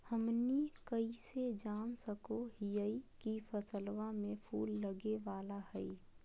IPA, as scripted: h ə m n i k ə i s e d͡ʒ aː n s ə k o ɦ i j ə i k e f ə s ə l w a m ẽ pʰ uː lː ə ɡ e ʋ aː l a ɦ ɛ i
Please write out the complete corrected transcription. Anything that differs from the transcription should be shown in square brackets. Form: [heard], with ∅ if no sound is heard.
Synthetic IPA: h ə m n i k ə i s e d͡ʒ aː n s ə k o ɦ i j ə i k [i] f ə s ə l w a m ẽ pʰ uː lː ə ɡ e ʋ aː l a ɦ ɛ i